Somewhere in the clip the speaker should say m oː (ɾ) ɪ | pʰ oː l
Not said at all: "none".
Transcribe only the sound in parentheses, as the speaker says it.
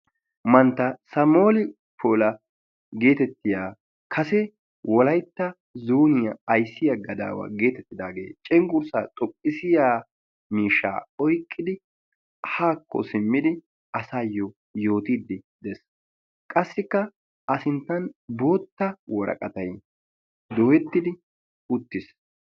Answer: l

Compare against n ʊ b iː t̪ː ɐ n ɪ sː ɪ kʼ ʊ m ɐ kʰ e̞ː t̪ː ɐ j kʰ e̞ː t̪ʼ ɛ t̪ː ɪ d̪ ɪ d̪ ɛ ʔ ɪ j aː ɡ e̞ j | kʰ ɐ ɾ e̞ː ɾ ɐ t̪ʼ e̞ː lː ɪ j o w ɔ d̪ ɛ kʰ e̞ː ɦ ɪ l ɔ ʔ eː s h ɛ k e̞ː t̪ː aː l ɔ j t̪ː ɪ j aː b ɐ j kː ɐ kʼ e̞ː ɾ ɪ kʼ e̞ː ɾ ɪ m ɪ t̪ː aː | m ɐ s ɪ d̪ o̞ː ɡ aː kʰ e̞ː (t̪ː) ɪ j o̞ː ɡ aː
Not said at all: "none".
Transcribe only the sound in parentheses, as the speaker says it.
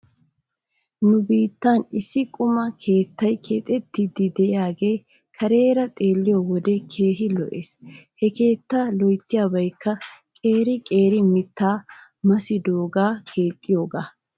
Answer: t̪ʼː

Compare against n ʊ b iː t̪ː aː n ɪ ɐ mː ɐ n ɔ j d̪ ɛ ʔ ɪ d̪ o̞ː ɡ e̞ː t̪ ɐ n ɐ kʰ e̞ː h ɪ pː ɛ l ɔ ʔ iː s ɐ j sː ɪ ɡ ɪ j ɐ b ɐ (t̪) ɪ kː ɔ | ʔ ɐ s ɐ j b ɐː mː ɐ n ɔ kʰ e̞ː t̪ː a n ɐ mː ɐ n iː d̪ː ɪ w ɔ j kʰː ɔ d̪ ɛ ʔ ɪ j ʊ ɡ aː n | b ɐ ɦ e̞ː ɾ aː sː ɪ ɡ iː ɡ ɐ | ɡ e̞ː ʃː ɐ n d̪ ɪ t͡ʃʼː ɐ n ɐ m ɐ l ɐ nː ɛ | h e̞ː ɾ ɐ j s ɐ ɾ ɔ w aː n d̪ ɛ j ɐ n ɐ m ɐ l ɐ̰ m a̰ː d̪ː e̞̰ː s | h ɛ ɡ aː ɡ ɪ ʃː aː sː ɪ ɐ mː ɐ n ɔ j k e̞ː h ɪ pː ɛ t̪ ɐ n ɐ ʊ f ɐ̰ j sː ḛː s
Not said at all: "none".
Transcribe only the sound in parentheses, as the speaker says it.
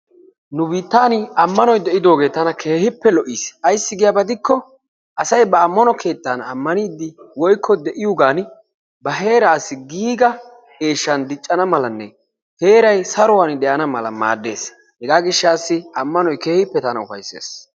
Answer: d̪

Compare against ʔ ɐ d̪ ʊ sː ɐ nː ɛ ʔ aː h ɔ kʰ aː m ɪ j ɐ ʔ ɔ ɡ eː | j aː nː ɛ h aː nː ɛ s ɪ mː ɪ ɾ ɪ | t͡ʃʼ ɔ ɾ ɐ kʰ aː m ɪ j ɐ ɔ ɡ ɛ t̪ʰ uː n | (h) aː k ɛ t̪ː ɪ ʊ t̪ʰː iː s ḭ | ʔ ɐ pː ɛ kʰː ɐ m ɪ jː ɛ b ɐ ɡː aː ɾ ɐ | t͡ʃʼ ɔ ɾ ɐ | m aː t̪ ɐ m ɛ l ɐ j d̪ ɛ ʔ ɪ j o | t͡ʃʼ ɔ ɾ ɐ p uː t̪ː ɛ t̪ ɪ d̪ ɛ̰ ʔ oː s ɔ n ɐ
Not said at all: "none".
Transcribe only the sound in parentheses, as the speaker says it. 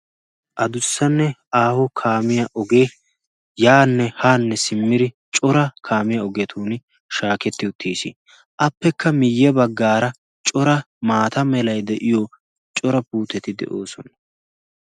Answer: ʃ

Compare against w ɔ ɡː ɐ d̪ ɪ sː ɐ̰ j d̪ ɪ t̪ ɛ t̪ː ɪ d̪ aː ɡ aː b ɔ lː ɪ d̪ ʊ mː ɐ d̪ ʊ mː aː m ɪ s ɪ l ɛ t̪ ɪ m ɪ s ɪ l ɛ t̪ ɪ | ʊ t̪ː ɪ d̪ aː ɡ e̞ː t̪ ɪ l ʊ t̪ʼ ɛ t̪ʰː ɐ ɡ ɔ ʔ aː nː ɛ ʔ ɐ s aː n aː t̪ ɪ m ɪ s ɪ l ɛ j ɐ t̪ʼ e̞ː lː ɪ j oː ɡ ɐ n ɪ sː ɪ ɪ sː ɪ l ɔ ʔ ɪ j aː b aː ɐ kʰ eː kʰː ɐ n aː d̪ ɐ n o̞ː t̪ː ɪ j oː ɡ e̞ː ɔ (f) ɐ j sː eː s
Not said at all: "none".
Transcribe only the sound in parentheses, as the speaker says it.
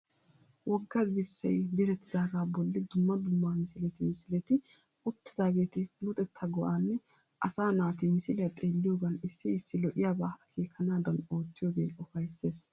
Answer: f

